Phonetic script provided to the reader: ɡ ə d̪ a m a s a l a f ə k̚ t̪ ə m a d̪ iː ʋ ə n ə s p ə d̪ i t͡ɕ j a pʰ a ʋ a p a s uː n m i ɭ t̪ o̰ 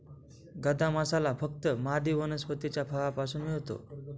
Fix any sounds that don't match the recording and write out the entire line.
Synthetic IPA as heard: ɡ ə d̪ a m a s a l a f ə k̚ t̪ ə m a d̪ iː ʋ ə n ə s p ə t̪ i t͡ɕ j a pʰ a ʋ a p a s uː n m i ɭ t̪ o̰